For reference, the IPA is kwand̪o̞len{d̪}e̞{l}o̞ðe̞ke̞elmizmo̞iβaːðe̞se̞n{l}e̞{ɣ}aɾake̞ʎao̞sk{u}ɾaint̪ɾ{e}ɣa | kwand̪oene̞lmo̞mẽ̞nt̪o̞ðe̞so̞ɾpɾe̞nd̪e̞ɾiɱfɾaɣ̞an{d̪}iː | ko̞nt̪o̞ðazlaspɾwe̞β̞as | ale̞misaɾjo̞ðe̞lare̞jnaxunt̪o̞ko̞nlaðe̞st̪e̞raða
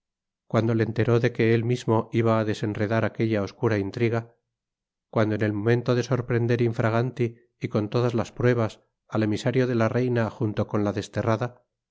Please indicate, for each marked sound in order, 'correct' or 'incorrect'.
incorrect: t̪, incorrect: ɾ, incorrect: r, incorrect: ð, correct, incorrect: i, incorrect: t̪

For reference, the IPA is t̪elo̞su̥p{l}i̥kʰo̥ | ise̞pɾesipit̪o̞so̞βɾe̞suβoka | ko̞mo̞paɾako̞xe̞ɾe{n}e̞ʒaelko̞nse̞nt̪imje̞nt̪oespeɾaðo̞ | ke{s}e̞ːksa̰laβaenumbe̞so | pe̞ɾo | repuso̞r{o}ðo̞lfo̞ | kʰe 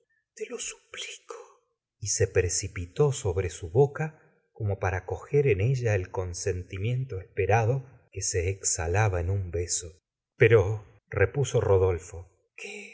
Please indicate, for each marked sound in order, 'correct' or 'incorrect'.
correct, correct, correct, correct

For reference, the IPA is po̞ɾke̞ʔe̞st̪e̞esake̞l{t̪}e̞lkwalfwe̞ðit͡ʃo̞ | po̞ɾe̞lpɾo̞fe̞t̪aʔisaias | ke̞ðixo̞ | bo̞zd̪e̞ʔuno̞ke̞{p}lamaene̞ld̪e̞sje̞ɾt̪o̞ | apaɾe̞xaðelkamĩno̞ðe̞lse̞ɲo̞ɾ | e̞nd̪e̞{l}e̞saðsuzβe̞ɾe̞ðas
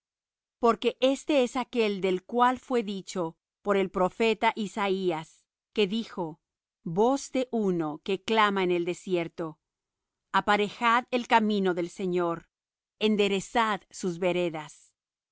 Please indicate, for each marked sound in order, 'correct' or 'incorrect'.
incorrect: d̪, incorrect: k, incorrect: ɾ

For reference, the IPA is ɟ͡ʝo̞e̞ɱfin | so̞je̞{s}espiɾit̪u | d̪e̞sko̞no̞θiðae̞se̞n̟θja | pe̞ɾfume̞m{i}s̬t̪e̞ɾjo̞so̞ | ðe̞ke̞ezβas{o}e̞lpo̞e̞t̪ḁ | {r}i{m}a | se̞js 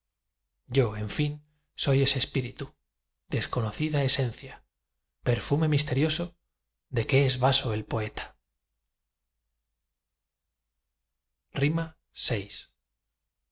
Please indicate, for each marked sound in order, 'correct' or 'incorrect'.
correct, correct, correct, correct, correct

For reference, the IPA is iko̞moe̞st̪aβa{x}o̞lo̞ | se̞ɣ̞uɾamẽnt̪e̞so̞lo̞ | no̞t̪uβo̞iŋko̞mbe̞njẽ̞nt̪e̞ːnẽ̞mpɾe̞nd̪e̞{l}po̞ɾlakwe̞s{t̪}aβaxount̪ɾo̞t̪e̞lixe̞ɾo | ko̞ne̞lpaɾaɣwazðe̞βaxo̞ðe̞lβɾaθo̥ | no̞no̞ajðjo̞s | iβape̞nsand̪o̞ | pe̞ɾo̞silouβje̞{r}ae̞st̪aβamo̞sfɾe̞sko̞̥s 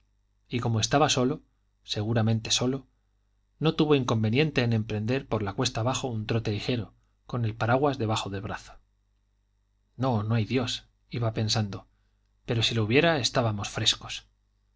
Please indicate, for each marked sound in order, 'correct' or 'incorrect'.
incorrect: s, incorrect: ɾ, correct, incorrect: ɾ

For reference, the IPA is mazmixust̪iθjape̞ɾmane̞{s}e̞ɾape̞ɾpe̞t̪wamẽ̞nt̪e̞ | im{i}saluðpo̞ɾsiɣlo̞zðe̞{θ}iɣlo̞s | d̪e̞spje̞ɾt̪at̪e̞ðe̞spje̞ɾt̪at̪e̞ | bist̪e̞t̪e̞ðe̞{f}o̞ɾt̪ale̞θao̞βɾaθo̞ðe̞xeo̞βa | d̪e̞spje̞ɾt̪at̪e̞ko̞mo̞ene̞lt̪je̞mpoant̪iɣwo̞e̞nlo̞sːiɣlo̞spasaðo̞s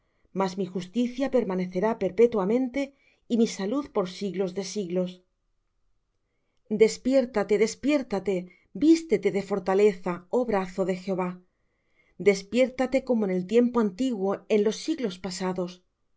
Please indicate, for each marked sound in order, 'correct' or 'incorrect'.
incorrect: θ, correct, incorrect: s, correct

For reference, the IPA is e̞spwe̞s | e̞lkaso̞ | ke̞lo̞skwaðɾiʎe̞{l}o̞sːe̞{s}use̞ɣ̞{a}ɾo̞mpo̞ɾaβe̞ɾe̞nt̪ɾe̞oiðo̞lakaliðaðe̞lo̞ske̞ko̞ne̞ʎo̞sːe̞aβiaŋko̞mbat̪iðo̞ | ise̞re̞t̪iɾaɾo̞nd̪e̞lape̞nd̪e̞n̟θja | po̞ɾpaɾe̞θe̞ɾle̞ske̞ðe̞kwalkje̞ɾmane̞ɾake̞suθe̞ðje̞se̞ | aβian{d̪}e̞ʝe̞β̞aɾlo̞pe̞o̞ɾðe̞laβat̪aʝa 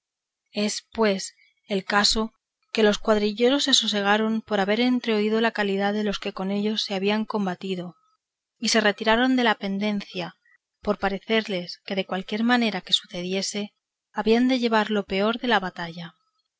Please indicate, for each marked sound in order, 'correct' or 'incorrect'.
incorrect: ɾ, correct, correct, correct

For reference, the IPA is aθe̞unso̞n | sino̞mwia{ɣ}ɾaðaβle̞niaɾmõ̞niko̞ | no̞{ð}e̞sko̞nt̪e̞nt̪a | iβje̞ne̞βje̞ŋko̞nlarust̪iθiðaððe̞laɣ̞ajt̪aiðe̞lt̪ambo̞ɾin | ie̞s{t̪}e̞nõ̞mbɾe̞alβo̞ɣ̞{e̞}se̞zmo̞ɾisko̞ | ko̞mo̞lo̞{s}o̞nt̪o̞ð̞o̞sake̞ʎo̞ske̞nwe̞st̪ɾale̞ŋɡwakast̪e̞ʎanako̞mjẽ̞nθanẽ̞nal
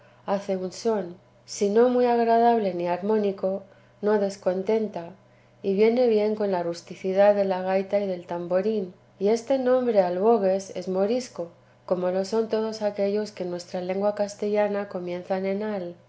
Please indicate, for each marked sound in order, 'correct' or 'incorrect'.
correct, correct, correct, correct, correct

